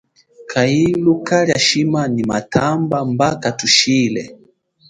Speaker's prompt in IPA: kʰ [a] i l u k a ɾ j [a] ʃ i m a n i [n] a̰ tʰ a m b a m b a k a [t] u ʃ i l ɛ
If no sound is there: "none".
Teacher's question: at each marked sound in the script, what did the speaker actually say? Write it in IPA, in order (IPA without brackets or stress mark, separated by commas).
a, a, m, t